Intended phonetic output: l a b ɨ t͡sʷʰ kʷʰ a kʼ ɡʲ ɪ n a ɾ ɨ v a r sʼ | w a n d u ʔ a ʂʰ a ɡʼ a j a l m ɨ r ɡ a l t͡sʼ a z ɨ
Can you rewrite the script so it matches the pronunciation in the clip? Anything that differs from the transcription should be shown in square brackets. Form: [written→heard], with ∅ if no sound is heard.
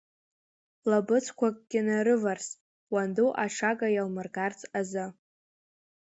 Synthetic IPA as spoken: l a b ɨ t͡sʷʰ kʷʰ a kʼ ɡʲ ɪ n a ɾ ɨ v a r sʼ | w a n d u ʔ a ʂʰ a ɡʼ a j a l m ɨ r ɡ a [l→r] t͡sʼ a z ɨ